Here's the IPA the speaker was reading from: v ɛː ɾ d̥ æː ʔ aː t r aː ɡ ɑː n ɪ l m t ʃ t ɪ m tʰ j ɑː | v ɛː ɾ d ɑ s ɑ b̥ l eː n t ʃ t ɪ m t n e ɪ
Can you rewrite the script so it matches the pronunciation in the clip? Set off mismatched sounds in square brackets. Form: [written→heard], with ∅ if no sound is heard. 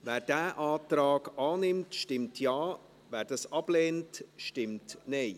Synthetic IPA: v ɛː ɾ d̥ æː ʔ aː t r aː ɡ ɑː n ɪ [l→∅] m t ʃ t ɪ m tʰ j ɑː | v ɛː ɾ d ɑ s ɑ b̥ l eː n t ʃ t ɪ m t n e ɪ